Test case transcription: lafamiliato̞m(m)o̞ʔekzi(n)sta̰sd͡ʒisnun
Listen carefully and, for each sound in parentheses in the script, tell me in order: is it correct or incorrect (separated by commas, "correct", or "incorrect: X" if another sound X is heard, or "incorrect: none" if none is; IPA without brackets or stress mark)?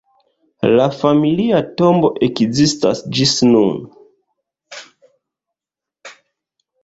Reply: incorrect: b, incorrect: none